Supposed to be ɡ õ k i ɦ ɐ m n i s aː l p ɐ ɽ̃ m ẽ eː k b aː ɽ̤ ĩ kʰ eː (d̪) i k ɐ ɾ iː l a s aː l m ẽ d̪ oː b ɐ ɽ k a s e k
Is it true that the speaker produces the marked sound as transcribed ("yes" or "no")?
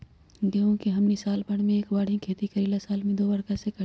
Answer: no